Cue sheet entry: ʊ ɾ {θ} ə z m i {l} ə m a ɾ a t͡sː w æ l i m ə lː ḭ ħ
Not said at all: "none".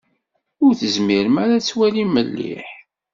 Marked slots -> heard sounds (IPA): θ, ɾ

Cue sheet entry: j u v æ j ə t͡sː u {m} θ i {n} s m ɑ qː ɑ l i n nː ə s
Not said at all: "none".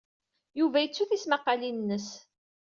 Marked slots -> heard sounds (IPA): none, none

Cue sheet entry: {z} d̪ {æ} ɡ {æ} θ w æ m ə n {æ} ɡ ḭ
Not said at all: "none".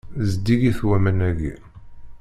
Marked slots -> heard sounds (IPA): z, i, i, æ

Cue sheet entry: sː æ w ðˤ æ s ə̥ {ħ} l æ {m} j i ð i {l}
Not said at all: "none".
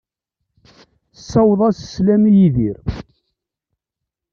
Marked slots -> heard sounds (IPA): s, m, ɾ

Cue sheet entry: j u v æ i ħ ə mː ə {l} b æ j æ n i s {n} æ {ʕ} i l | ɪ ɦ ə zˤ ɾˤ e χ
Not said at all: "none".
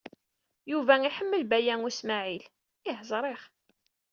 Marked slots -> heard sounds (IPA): l, m, ʕ

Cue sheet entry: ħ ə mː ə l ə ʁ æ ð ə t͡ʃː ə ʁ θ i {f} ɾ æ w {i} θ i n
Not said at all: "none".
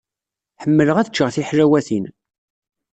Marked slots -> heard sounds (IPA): ħ, æ

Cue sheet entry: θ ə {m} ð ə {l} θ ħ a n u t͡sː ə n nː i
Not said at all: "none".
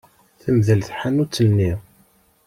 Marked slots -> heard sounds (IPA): m, l

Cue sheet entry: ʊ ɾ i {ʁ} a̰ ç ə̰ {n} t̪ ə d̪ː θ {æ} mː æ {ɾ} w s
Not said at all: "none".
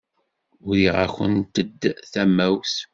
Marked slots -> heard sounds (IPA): ʁ, n, æ, none

